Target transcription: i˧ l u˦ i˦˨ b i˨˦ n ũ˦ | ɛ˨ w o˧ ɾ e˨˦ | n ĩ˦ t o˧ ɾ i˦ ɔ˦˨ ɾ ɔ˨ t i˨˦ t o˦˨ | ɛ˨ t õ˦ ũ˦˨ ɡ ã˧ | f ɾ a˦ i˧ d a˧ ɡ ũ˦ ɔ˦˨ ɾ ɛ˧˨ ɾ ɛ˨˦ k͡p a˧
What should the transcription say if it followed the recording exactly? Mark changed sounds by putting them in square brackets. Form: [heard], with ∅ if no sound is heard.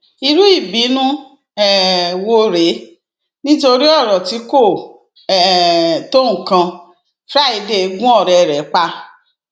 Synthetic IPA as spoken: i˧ [ɾ] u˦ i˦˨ b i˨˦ n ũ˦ | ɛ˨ w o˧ ɾ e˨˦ | n ĩ˦ t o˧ ɾ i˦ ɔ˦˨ ɾ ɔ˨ t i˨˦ [k] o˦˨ | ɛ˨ t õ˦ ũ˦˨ [k] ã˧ | f ɾ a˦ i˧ d [e˧] ɡ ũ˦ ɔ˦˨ ɾ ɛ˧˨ ɾ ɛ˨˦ k͡p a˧